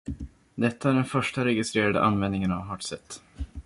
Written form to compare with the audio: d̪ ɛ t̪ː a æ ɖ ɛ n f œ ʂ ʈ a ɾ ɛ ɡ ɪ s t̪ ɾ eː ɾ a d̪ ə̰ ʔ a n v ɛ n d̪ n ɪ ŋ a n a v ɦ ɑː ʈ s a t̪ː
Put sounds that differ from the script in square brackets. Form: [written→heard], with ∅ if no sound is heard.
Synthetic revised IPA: d̪ ɛ t̪ː a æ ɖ ɛ n f œ ʂ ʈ a ɾ ɛ ɡ ɪ s t̪ ɾ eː ɾ a d̪ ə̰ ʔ a n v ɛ n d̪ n ɪ ŋ [a→ə] n a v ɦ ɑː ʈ s [a→ɛ] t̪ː